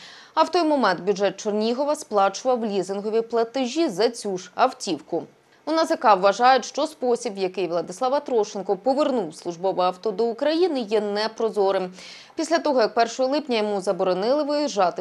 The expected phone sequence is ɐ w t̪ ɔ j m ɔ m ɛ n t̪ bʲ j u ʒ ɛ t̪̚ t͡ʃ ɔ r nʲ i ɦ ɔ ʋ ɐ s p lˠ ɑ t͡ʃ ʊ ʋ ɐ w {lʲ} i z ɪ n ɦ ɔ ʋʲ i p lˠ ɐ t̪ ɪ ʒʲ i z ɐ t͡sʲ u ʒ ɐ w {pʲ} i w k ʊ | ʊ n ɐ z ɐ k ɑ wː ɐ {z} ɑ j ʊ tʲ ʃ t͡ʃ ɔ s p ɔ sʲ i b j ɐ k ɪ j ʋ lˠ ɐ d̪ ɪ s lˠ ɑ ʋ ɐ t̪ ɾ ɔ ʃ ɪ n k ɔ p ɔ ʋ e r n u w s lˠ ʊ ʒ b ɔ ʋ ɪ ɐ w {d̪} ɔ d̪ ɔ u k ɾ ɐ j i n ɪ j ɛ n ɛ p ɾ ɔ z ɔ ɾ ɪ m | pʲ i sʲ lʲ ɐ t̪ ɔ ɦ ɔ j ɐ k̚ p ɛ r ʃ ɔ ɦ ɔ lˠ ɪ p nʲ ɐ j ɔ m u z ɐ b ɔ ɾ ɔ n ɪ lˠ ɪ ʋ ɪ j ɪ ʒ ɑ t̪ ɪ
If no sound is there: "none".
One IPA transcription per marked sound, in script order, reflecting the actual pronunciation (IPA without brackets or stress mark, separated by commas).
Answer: lʲ, tʲ, ʒ, t̪